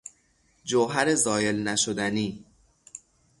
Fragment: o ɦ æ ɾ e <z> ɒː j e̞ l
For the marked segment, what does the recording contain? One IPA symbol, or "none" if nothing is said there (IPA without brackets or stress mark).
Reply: z